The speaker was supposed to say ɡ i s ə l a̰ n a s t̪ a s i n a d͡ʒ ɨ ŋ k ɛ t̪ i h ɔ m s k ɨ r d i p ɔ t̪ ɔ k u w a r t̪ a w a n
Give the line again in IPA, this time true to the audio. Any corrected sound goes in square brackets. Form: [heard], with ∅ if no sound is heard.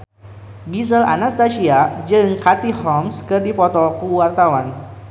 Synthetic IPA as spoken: ɡ i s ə l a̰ n a s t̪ a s i [∅] a d͡ʒ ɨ ŋ k [a] t̪ i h ɔ m s k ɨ r d i p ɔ t̪ ɔ k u w a r t̪ a w a n

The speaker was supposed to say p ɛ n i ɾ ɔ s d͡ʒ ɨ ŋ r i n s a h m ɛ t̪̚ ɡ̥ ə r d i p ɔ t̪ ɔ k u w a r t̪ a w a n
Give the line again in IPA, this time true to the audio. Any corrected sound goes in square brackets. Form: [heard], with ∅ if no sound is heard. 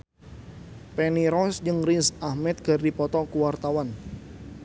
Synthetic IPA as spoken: p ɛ n i ɾ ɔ s d͡ʒ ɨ ŋ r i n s a h m ɛ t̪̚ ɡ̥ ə r d i p ɔ t̪ ɔ k u w a r t̪ a w a n

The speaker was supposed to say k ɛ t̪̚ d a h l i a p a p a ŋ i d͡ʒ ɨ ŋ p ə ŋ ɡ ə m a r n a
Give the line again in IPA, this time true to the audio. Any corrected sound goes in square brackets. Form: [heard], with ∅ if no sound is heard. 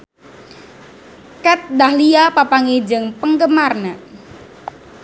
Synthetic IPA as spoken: k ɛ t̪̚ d a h l i a p a p a ŋ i d͡ʒ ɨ ŋ p ə ŋ ɡ ə m a r n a

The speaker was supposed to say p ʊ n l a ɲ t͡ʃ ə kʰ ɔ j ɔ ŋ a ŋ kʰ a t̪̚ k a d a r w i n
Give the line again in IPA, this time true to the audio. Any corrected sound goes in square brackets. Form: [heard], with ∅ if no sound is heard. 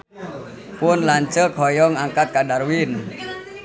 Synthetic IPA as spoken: p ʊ n l a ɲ t͡ʃ ə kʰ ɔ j ɔ ŋ a ŋ [k] a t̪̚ k a d a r w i n

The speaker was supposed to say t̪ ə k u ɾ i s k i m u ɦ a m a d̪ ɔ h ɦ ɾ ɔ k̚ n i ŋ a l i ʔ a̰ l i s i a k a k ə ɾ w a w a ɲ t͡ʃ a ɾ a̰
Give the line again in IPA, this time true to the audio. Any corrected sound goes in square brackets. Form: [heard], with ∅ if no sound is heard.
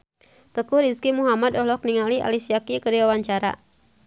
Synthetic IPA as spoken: t̪ ə k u ɾ i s k i m u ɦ a m a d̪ ɔ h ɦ [l] ɔ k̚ n i ŋ a l i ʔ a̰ l i s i a k [i] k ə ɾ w a w a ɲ t͡ʃ a ɾ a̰

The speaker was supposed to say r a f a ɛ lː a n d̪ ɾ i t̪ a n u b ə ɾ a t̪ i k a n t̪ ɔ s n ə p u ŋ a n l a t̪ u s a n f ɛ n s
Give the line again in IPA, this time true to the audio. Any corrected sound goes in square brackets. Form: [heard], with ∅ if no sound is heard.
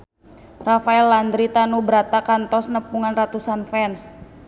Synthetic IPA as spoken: r a f a ɛ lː a n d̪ ɾ i t̪ a n u b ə ɾ a t̪ [a] k a n t̪ ɔ s n ə p u ŋ a n [r] a t̪ u s a n f ɛ n s

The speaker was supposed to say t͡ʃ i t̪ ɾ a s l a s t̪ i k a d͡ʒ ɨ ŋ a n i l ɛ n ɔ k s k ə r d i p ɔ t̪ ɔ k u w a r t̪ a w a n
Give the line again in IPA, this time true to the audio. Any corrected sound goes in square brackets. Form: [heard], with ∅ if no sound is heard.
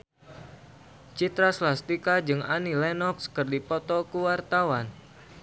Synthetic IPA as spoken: t͡ʃ i t̪ ɾ a s l a s t̪ i k a d͡ʒ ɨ ŋ a n i l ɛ n ɔ k s k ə r d i p ɔ t̪ ɔ k u w a r t̪ a w a n

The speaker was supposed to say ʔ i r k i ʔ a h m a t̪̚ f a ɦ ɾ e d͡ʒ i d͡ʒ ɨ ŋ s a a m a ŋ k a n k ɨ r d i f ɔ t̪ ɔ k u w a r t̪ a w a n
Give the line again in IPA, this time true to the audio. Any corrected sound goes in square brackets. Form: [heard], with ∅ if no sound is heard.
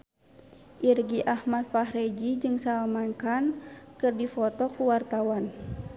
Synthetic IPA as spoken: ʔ i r [ɡ] i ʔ a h m a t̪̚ f a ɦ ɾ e d͡ʒ i d͡ʒ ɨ ŋ s a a m a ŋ k a n k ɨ r d i f ɔ t̪ ɔ k u w a r t̪ a w a n

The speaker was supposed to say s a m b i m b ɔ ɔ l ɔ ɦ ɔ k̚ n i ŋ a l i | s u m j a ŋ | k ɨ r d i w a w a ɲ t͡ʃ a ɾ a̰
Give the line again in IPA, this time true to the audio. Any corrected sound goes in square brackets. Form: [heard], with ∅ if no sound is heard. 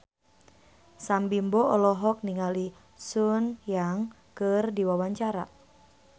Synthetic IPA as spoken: s a m b i m b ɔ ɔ l ɔ ɦ ɔ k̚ n i ŋ a l i | s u [n] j a ŋ | k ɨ r d i w a w a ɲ t͡ʃ a ɾ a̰

